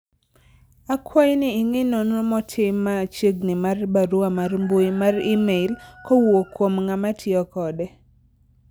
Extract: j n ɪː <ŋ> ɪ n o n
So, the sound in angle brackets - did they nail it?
yes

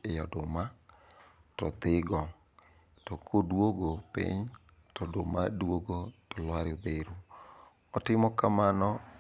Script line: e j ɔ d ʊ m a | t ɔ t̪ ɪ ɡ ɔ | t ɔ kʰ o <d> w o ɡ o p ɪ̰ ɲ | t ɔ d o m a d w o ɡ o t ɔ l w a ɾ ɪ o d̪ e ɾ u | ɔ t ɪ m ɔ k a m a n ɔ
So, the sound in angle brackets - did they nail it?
yes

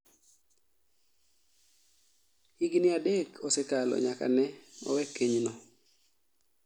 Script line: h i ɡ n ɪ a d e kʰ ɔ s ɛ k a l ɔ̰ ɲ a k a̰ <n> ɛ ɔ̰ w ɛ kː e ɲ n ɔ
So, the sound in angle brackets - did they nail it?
yes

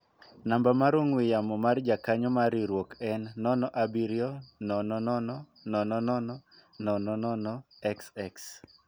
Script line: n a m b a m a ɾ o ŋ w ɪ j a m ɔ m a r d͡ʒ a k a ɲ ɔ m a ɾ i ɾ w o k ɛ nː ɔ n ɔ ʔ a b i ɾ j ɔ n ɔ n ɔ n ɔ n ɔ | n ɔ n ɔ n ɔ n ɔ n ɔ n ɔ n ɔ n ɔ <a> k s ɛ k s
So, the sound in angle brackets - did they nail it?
no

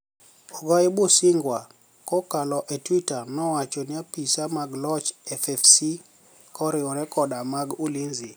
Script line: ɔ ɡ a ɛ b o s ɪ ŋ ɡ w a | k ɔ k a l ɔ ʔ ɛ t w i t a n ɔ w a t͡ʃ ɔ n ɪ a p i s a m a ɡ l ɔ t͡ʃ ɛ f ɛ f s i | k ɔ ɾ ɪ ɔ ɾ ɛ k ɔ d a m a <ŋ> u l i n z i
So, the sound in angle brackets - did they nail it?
no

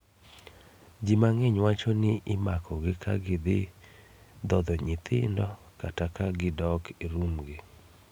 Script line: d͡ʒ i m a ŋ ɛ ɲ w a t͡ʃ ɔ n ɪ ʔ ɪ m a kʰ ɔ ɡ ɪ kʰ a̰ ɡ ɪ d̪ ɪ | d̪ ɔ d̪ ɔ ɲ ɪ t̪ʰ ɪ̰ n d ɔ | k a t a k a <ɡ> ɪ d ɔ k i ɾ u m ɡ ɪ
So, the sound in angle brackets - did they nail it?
yes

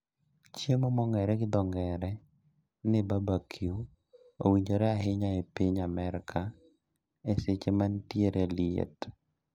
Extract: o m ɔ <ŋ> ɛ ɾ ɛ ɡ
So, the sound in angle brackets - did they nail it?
yes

